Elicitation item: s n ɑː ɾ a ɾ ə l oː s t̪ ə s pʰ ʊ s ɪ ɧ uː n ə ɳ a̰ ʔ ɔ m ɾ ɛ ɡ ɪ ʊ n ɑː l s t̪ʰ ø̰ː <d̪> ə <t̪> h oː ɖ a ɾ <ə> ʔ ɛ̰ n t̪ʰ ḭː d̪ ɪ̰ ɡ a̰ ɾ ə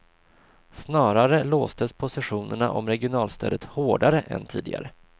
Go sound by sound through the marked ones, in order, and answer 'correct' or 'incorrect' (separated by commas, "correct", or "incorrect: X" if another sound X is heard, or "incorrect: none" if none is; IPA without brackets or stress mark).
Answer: correct, correct, correct